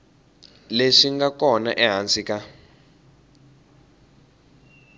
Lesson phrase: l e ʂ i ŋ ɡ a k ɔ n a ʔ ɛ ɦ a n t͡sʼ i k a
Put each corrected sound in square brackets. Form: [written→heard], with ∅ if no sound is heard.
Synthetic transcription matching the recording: l e ʂ i ŋ ɡ a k ɔ n a ʔ ɛ ɦ a n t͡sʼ i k a